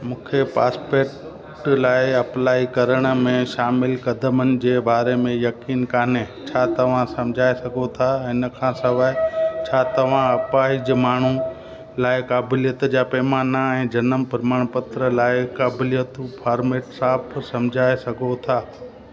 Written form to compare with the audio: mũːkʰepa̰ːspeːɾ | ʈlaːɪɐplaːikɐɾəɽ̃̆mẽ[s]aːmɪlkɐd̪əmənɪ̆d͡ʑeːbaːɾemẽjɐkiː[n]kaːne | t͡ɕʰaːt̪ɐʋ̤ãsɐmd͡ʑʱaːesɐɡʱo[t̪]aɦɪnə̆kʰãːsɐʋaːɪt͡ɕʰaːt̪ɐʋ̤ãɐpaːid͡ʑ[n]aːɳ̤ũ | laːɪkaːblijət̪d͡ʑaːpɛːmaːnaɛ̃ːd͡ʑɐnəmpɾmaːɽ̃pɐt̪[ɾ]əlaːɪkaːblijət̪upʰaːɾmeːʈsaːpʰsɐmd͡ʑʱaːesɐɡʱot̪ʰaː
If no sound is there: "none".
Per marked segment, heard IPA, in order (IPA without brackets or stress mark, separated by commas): ʃ, n, t̪ʰ, m, ɾ